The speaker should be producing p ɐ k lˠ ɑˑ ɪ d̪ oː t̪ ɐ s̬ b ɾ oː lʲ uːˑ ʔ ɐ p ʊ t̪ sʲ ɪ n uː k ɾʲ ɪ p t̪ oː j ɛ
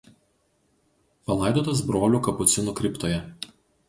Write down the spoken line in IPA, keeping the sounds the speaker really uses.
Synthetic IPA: p ɐ lˠ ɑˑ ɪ d̪ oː t̪ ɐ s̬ b ɾ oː lʲ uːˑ k ɐ p ʊ t̪ sʲ ɪ n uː k ɾʲ ɪ p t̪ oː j ɛ